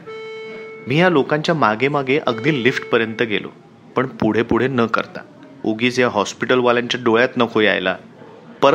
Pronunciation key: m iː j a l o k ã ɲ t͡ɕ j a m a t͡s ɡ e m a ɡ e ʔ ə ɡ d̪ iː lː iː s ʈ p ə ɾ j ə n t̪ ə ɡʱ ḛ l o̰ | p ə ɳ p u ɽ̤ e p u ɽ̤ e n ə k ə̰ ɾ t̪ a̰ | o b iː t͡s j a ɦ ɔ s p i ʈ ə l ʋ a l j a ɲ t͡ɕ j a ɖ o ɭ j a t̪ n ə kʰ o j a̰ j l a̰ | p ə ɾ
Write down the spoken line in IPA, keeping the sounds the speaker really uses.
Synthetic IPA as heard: m iː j a l o k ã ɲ t͡ɕ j a m a ɡ e m a ɡ e ʔ ə ɡ d̪ iː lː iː f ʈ p ə ɾ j ə n t̪ ə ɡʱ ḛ l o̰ | p ə ɳ p u ɽ̤ e p u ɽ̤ e n ə k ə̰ ɾ t̪ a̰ | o ɡ iː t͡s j a ɦ ɔ s p i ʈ ə l ʋ a l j a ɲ t͡ɕ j a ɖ o ɭ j a t̪ n ə kʰ o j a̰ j l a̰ | p ə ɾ